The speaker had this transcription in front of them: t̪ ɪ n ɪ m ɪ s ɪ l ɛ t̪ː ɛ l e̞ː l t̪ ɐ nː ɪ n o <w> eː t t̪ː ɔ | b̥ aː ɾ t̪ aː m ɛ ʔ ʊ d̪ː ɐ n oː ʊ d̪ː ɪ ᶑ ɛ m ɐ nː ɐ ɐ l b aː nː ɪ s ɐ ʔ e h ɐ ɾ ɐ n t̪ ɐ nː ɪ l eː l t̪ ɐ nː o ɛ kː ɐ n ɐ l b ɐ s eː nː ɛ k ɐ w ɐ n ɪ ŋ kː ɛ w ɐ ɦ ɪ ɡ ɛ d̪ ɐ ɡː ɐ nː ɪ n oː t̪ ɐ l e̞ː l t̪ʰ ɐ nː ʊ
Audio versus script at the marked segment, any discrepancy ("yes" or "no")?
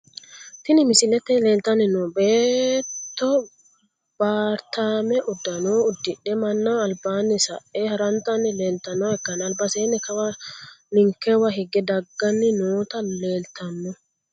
yes